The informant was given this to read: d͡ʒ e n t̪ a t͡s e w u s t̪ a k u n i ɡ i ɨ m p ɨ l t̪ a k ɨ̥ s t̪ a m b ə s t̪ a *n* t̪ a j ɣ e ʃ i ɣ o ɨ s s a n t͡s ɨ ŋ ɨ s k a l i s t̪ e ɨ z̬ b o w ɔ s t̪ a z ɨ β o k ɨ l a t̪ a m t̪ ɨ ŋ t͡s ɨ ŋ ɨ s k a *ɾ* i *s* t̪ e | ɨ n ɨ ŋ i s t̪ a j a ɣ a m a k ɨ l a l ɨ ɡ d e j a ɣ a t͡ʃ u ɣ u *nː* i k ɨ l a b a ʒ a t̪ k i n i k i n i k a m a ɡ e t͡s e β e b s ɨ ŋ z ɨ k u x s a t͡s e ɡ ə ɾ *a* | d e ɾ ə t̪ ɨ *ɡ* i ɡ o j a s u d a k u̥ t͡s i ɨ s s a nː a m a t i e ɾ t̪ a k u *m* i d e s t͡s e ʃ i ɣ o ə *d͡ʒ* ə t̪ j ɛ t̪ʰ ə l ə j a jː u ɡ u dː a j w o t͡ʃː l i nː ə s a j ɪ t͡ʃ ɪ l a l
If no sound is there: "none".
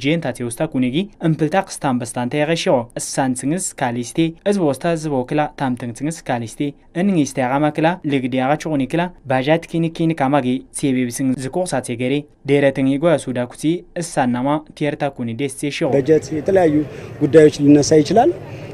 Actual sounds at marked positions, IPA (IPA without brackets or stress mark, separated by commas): n, l, s, n, e, ŋ, n, d͡ʒ